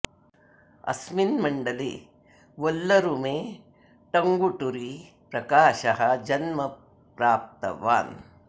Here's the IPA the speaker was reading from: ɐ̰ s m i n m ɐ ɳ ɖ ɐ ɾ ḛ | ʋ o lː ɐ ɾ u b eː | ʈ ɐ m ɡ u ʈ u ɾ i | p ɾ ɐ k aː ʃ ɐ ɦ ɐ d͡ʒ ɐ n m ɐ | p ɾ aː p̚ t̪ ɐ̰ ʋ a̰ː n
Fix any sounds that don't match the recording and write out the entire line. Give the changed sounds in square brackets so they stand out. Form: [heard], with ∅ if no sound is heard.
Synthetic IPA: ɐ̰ s m i n m ɐ ɳ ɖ ɐ [l] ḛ | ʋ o lː ɐ ɾ u [m] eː | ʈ ɐ [ŋ] ɡ u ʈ u ɾ i | p ɾ ɐ k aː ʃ ɐ ɦ ɐ d͡ʒ ɐ n m ɐ | p ɾ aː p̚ t̪ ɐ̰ ʋ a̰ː n